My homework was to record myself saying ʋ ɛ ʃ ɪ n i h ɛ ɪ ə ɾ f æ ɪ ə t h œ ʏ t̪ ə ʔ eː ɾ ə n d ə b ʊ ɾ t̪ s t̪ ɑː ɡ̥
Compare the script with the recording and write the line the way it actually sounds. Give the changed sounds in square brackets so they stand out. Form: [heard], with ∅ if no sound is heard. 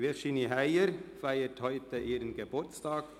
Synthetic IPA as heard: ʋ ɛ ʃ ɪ n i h [æ] ɪ ə ɾ f æ ɪ ə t h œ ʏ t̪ ə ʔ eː ɾ ə n [ɡ] ə b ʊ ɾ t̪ s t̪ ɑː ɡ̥